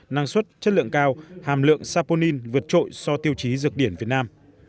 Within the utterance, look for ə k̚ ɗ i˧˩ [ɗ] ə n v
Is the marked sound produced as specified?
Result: no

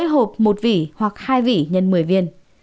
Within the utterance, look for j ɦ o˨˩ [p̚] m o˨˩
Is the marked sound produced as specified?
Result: yes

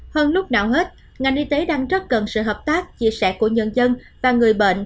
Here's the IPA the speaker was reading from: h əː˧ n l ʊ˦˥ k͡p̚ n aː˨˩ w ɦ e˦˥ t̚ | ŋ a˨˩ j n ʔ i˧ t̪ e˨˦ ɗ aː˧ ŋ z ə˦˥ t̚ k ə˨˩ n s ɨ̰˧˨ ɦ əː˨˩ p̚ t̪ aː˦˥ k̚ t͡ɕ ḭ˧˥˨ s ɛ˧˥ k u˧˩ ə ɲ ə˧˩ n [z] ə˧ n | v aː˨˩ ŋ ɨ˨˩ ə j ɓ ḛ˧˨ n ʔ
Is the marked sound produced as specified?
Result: yes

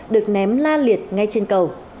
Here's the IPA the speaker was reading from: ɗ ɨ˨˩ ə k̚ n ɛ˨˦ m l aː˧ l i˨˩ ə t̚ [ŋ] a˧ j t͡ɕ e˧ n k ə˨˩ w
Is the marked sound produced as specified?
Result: yes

